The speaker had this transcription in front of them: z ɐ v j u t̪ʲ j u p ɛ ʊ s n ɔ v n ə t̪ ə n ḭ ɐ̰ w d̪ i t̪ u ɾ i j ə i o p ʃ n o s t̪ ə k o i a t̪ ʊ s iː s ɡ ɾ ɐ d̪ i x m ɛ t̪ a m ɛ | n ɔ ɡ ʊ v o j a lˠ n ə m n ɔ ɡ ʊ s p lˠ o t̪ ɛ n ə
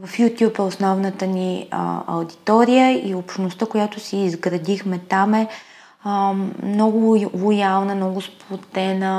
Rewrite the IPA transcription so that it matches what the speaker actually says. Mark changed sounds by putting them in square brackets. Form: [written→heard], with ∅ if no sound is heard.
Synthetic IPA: [z→v] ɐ [v→f] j u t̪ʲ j u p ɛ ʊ s n ɔ v n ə t̪ ə n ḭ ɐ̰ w d̪ i t̪ [u→ɔ] ɾ i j ə i o p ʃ n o s t̪ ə k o [i→j] a t̪ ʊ s iː [s→z] ɡ ɾ ɐ d̪ i x m ɛ t̪ a m ɛ | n ɔ ɡ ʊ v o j a lˠ n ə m n ɔ ɡ ʊ s p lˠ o t̪ ɛ n ə